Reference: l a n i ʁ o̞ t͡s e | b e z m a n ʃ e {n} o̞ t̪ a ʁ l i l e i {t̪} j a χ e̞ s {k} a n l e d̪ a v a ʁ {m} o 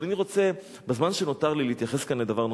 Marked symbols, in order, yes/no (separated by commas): yes, yes, yes, no